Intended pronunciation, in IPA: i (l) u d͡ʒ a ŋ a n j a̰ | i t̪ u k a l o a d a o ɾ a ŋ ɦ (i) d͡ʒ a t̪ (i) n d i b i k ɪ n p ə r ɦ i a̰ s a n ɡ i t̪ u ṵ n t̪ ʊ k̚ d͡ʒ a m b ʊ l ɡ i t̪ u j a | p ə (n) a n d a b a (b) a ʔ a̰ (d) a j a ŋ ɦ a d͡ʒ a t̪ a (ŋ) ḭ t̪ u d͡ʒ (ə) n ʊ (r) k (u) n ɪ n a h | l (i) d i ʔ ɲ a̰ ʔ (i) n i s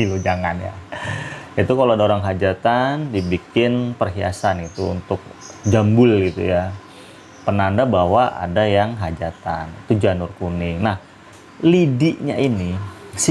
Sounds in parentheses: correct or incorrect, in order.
correct, incorrect: a, incorrect: a, correct, incorrect: w, correct, incorrect: n, incorrect: a, correct, correct, correct, correct

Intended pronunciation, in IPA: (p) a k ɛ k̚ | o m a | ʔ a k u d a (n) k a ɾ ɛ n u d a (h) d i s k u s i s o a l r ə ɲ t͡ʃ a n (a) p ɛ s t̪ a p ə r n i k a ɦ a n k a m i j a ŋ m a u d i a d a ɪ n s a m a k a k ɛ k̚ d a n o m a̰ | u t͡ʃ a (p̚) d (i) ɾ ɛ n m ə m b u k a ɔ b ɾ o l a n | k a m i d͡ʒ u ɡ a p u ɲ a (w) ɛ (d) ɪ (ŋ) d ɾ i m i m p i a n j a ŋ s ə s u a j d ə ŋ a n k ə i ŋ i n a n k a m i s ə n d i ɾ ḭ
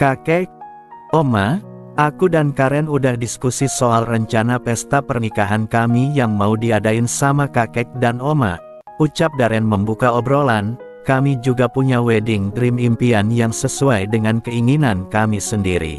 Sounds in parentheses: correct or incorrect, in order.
incorrect: k, correct, correct, correct, correct, incorrect: a, correct, correct, correct

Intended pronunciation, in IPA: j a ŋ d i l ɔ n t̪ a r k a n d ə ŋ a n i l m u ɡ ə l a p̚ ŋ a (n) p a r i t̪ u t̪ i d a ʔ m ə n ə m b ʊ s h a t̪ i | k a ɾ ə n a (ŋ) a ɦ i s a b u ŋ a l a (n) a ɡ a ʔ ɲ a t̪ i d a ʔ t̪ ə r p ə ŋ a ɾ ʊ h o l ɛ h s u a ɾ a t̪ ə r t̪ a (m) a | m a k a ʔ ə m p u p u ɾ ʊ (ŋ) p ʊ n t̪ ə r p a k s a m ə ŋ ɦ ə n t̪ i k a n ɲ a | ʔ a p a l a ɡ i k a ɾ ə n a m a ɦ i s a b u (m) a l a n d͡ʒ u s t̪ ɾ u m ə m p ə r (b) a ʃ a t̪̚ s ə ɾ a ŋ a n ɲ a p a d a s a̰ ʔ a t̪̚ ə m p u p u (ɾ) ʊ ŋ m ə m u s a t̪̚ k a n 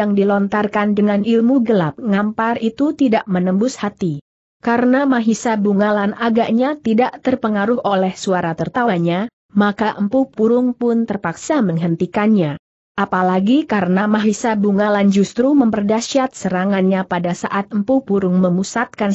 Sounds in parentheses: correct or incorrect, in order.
incorrect: m, incorrect: m, correct, incorrect: ɲ, correct, incorrect: ŋ, incorrect: d, correct

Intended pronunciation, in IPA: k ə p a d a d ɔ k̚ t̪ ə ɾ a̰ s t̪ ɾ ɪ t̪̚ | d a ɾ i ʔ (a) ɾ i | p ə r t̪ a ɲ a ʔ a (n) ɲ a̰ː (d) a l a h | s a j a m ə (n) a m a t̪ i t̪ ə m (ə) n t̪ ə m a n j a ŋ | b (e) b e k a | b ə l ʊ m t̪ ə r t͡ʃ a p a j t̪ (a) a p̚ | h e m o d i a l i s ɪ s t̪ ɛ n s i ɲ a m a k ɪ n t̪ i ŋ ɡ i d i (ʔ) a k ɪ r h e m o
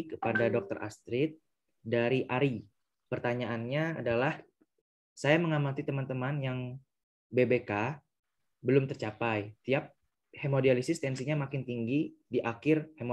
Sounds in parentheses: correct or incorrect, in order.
correct, correct, correct, incorrect: ŋ, incorrect: a, correct, incorrect: i, correct

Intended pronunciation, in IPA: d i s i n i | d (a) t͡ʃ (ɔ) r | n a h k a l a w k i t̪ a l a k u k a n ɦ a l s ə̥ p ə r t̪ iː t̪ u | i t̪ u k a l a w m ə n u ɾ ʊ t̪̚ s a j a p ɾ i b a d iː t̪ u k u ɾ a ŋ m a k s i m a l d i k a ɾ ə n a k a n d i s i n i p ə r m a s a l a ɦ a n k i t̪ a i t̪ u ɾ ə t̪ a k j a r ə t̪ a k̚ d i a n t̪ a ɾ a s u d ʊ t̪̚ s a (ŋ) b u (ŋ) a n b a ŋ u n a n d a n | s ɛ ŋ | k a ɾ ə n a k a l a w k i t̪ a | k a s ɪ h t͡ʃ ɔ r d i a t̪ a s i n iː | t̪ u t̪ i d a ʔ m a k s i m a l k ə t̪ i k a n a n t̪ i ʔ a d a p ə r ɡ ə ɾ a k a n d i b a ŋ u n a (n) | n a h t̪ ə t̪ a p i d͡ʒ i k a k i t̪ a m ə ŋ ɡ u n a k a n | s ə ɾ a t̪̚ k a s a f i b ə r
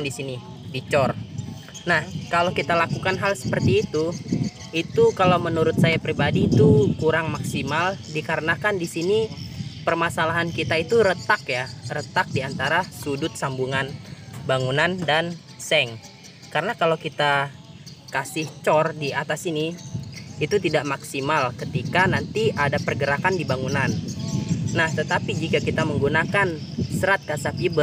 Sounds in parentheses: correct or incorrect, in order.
incorrect: i, correct, incorrect: m, correct, correct

